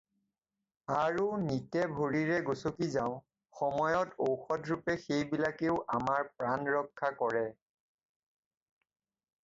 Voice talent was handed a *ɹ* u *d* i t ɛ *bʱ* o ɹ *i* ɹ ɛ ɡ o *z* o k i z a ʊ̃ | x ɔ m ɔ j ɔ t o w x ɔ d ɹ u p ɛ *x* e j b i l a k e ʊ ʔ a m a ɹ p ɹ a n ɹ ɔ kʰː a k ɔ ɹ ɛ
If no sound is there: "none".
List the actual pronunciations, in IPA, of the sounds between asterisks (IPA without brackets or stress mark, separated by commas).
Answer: ɹ, n, bʱ, i, s, x